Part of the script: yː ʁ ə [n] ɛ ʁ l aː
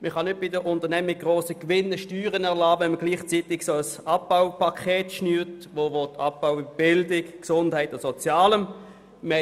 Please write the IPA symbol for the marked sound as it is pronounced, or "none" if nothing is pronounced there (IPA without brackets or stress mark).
n